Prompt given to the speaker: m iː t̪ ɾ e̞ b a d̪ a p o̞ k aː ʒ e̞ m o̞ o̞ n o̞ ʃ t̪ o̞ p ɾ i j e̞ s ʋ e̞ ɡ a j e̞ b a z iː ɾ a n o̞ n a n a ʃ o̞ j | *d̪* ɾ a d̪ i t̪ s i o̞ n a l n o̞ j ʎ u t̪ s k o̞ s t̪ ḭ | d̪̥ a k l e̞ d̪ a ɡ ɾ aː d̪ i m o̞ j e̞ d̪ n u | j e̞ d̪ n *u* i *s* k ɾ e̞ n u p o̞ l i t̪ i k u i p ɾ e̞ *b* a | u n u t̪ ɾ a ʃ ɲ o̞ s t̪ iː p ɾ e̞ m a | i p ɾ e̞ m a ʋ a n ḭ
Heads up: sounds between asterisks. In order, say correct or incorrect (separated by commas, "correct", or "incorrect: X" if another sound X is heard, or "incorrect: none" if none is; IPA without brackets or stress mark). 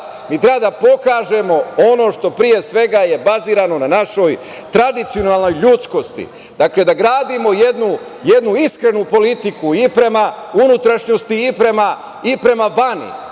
incorrect: t̪, correct, correct, incorrect: m